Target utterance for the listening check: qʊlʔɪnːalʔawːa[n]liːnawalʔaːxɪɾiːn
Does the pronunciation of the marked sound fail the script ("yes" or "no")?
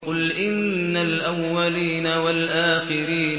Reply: yes